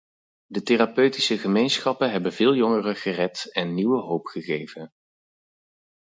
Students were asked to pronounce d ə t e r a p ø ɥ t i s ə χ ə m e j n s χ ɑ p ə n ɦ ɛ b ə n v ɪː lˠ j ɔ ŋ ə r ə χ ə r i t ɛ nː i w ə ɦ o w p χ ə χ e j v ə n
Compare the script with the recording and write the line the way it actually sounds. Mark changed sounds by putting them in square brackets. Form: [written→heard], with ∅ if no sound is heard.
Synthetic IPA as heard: d ə t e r a p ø ɥ t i s ə χ ə m e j n s χ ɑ p ə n ɦ ɛ b ə n v ɪː lˠ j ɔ ŋ ə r ə χ ə r [i→ɛ] t ɛ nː i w ə ɦ o w p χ ə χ e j v ə n